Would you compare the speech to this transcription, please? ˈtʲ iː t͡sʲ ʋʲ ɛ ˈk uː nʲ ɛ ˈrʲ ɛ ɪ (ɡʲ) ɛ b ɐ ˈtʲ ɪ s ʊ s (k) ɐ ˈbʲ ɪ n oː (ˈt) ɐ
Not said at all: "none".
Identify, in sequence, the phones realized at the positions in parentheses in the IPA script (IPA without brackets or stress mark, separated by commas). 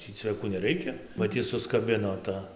kʲ, k, t